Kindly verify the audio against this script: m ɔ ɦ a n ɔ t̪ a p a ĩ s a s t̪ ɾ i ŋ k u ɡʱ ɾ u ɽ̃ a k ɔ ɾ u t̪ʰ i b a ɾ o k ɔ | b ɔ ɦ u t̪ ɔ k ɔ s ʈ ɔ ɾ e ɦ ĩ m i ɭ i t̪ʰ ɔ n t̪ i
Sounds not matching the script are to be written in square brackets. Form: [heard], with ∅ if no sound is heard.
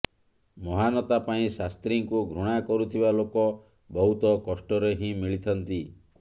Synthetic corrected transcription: m ɔ ɦ a n ɔ t̪ a p a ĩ s a s t̪ ɾ i ŋ k u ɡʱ ɾ u ɽ̃ a k ɔ ɾ u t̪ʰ i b a [l] o k ɔ | b ɔ ɦ u t̪ ɔ k ɔ s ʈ ɔ ɾ e ɦ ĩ m i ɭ i t̪ʰ ɔ n t̪ i